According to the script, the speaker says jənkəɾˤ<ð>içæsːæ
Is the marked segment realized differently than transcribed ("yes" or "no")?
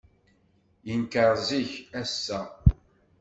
yes